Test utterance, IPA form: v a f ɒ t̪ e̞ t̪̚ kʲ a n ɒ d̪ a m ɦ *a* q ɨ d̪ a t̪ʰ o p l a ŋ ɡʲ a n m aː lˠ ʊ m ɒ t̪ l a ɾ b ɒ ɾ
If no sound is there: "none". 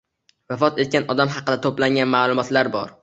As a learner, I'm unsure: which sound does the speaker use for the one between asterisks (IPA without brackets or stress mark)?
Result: ɑ